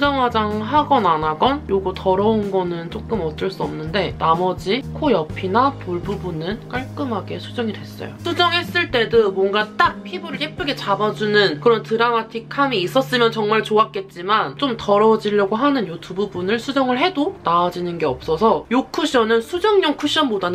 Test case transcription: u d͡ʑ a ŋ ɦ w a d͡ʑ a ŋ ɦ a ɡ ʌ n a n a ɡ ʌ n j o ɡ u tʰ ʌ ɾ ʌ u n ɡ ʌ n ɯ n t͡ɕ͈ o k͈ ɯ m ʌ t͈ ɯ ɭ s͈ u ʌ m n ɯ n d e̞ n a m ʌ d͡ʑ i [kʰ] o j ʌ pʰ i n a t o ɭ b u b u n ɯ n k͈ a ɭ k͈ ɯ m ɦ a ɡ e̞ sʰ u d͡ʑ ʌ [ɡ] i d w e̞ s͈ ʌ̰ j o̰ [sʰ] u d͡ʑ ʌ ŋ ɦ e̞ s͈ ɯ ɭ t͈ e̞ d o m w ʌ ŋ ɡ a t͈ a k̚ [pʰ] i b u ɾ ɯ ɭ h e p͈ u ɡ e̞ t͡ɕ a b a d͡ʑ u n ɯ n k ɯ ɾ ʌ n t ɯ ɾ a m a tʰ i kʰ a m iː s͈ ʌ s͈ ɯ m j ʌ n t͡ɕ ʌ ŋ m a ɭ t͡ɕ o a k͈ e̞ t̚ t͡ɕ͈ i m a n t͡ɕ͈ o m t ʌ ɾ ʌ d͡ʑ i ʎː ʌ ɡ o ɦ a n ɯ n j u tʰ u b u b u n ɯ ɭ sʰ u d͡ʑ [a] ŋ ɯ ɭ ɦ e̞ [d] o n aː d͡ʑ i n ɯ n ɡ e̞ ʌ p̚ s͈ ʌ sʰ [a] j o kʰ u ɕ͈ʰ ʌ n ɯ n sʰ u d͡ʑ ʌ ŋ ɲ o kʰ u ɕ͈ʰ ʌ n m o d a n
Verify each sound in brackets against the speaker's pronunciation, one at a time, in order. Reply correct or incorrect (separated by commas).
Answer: correct, incorrect, correct, correct, incorrect, correct, incorrect